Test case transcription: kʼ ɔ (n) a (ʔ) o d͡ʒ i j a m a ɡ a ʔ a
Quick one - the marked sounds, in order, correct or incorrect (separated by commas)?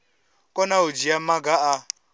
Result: correct, incorrect